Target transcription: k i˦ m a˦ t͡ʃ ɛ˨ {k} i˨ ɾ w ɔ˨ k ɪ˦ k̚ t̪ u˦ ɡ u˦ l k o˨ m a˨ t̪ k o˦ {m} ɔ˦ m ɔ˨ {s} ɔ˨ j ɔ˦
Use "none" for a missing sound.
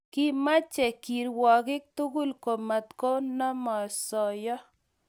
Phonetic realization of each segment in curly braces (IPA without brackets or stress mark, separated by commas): k, n, s